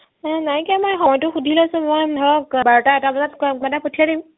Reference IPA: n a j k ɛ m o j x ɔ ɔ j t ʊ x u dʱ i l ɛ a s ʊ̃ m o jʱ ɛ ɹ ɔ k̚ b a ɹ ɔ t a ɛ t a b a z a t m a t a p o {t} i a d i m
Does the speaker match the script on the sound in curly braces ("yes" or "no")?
no